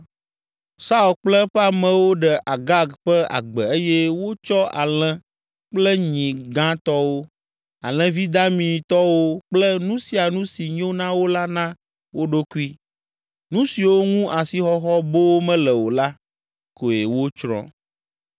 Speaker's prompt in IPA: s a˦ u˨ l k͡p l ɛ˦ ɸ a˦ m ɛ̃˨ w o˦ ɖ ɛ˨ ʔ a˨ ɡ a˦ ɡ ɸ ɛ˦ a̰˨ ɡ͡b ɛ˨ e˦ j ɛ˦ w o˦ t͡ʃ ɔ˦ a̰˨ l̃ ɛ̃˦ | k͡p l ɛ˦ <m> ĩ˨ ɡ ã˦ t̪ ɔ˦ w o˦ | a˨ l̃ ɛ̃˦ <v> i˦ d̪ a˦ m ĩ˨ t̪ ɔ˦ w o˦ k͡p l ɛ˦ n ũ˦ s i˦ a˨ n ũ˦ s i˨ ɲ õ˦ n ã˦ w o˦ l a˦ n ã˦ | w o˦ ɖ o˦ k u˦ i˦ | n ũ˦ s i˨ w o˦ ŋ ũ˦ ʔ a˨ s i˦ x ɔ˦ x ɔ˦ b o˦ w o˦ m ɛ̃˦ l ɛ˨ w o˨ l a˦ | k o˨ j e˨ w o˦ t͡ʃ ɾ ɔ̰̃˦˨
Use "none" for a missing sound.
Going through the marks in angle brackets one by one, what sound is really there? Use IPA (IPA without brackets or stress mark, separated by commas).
ɲ, v